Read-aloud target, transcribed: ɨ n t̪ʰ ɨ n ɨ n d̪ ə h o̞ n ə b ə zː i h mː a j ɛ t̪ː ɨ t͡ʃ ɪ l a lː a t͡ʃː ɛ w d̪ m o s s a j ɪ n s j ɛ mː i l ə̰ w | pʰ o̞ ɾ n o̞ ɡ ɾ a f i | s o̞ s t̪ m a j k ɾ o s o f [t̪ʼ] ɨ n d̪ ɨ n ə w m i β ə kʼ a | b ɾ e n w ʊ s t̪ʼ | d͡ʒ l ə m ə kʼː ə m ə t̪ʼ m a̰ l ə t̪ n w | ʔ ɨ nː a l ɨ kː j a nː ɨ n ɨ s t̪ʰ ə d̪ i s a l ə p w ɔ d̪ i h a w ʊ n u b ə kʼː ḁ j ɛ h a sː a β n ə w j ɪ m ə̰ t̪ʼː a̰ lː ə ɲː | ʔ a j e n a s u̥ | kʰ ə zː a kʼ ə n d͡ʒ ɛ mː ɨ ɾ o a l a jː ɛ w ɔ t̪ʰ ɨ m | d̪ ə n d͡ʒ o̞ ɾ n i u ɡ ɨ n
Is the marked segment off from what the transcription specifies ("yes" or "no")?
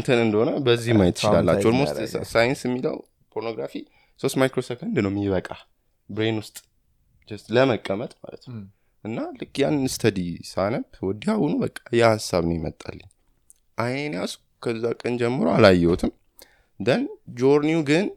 yes